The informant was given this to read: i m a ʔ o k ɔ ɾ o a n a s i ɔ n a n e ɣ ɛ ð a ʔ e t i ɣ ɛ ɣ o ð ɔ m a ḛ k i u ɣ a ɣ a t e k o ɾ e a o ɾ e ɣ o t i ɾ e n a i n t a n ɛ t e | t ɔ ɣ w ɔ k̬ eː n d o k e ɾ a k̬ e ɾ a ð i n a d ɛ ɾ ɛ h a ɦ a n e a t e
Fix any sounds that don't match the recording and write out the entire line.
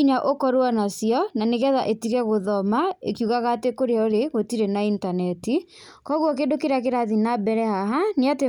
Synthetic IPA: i ɲ a ʔ o k ɔ ɾ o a n a s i ɔ n a n e ɣ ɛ ð a ʔ e t i ɣ ɛ ɣ o ð ɔ m a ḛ k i u ɣ a ɣ a t e k o ɾ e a o ɾ e ɣ o t i ɾ e n a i n t a n ɛ t i | k ɔ ɣ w ɔ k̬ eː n d o k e ɾ a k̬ e ɾ a ð i n a b ɛ ɾ ɛ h a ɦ a n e a t e